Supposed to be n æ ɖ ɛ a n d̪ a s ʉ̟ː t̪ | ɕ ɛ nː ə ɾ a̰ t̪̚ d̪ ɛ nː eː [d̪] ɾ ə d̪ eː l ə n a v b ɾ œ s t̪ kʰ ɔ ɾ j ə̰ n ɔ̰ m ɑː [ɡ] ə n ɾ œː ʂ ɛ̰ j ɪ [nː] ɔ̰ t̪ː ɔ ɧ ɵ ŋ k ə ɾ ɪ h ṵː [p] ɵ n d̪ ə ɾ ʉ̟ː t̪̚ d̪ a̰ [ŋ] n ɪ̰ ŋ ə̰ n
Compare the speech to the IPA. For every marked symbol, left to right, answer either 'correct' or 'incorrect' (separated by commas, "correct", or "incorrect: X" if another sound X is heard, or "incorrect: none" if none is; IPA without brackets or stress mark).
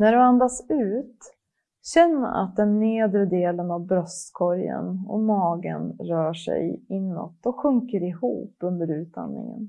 correct, correct, correct, correct, incorrect: n